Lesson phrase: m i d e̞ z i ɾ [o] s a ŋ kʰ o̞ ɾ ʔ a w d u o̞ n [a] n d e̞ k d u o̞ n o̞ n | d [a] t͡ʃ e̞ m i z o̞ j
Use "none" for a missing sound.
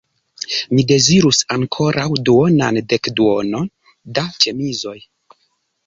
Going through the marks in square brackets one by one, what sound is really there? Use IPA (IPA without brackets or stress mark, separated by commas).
u, a, a